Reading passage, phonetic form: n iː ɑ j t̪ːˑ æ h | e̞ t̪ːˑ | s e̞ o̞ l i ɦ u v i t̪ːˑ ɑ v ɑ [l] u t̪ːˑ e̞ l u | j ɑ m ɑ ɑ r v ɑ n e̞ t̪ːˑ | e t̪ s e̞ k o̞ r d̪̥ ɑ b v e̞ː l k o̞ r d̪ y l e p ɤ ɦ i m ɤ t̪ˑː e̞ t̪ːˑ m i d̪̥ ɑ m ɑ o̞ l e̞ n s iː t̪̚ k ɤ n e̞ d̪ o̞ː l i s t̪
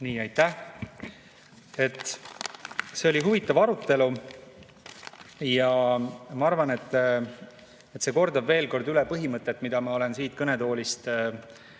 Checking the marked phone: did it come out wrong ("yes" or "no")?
yes